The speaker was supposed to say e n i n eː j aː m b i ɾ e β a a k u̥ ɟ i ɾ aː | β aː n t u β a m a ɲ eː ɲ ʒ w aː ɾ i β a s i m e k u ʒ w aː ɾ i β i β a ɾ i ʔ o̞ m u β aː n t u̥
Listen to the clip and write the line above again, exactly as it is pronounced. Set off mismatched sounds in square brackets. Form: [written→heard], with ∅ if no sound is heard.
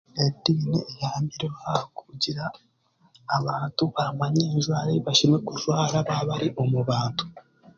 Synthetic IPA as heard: e [n→d] i n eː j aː m b i ɾ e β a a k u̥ ɟ i ɾ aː | β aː n t u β a m a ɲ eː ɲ ʒ w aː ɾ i β a [s→ʃ] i m e k u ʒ w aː ɾ [i→a] β [i→a] β a ɾ i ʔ o̞ m u β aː n t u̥